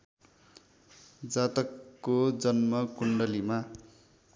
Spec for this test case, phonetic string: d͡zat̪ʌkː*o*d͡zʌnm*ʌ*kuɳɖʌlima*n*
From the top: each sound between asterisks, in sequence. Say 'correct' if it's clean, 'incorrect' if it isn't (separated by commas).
correct, correct, incorrect